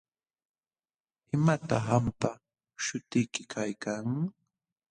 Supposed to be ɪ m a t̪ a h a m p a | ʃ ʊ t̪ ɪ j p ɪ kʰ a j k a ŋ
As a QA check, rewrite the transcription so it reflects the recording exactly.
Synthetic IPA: ɪ m a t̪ a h a m p a | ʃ ʊ t̪ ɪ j k ɪ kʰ a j k a ŋ